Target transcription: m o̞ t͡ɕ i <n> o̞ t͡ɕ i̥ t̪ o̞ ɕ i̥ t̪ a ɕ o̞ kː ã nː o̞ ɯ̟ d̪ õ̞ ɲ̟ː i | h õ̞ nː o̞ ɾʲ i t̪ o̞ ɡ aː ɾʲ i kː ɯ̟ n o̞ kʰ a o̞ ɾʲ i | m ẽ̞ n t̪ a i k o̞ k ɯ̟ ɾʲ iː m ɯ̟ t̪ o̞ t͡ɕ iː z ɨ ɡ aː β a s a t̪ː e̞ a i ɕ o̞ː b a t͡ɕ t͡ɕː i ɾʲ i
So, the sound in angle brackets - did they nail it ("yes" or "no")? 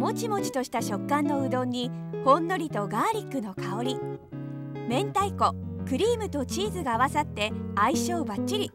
no